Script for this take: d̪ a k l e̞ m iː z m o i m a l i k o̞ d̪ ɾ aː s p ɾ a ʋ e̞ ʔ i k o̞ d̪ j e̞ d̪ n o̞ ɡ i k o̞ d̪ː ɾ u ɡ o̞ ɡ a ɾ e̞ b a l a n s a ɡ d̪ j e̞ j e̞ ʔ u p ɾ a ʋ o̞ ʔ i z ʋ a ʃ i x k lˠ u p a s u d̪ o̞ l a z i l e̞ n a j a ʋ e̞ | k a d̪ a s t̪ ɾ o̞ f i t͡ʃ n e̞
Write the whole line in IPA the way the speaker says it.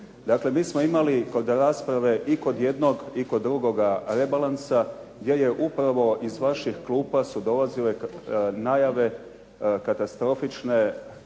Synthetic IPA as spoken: d̪ a k l e̞ m iː s m o i m a l i k o̞ d̪ ɾ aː s p ɾ a ʋ e̞ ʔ i k o̞ d̪ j e̞ d̪ n o̞ ɡ i k o̞ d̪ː ɾ u ɡ o̞ ɡ a ɾ e̞ b a l a n s a ɡ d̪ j e̞ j e̞ ʔ u p ɾ a ʋ o̞ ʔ i z ʋ a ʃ i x k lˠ uː p a s u d̪ o̞ l a z i l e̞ n a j a ʋ e̞ | k a t̪ a s t̪ ɾ o̞ f i t͡ʃ n e̞